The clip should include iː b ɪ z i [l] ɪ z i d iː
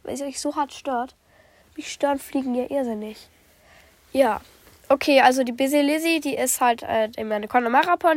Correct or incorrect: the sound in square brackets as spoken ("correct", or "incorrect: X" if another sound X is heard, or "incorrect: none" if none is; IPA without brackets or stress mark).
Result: correct